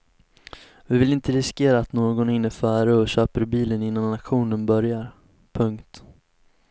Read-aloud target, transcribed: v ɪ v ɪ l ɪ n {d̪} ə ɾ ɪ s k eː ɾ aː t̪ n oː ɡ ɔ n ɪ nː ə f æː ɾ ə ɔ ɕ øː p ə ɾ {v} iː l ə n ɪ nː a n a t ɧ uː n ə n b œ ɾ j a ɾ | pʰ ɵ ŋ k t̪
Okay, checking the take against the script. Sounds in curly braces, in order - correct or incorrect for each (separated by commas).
incorrect, incorrect